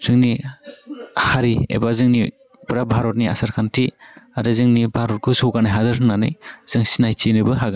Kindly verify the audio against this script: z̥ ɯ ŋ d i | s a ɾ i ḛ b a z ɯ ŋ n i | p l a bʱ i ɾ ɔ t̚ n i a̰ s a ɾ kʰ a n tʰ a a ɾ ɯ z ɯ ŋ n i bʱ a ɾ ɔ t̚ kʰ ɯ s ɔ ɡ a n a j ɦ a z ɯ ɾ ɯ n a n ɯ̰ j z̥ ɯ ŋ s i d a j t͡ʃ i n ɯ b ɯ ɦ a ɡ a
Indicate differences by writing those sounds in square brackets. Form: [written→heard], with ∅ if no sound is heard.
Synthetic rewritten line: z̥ ɯ ŋ [d→n] i | [s→h] a ɾ i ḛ b a z ɯ ŋ n i | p [l→ɾ] a bʱ [i→a] ɾ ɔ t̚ n i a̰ s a ɾ kʰ a n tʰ [a→i] a ɾ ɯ z ɯ ŋ n i bʱ a ɾ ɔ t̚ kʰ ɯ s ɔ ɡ a n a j ɦ a z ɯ ɾ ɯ n a n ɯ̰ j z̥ ɯ ŋ s i [d→n] a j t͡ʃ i n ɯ b ɯ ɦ a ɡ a